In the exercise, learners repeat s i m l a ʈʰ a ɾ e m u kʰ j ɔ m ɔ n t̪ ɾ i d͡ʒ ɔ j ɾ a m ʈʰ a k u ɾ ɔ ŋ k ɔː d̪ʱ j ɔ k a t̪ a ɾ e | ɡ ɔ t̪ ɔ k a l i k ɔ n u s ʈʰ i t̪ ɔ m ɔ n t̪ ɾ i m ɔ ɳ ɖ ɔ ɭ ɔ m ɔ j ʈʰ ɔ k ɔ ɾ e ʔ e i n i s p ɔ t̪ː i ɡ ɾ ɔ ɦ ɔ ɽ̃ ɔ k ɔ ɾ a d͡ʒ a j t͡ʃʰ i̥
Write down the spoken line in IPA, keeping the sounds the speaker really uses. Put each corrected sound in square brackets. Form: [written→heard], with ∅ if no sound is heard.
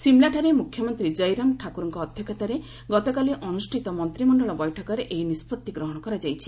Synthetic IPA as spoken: s i m l a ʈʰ a ɾ e m u kʰ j ɔ m ɔ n t̪ ɾ i d͡ʒ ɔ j ɾ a m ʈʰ a k u ɾ ɔ ŋ k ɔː d̪ʱ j ɔ k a t̪ a ɾ e | ɡ ɔ t̪ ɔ k a l i [k→ʔ] ɔ n u s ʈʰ i t̪ ɔ m ɔ n t̪ ɾ i m ɔ ɳ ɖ ɔ ɭ ɔ [m→b] ɔ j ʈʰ ɔ k ɔ ɾ e ʔ e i n i s p ɔ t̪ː i ɡ ɾ ɔ ɦ ɔ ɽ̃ ɔ k ɔ ɾ a d͡ʒ a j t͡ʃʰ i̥